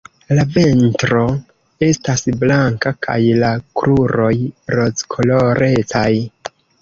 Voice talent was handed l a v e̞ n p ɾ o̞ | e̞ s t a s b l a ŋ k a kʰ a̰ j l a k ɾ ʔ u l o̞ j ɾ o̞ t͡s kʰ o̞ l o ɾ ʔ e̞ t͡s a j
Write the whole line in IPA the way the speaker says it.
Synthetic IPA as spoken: l a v e̞ n t ɾ o̞ | e̞ s t a s b l a ŋ k a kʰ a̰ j l a k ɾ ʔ u ɾ o̞ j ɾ o̞ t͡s kʰ o̞ l o ɾ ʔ e̞ t͡s a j